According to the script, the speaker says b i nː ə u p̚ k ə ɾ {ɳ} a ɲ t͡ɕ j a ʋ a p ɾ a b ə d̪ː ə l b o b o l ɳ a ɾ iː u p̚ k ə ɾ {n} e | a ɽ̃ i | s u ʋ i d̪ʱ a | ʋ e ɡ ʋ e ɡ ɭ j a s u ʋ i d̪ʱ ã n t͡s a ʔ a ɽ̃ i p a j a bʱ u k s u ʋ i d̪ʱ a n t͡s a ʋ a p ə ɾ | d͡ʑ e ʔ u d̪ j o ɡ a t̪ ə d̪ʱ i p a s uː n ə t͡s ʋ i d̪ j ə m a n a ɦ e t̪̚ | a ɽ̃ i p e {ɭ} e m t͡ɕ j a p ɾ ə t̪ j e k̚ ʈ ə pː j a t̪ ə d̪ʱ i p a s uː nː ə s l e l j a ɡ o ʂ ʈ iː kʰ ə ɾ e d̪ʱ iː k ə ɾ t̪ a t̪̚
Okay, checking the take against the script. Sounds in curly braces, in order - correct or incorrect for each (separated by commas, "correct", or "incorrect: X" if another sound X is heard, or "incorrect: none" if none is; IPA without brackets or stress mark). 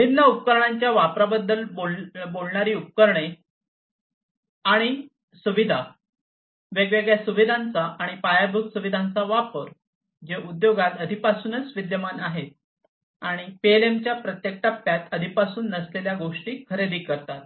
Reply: correct, incorrect: ɳ, incorrect: l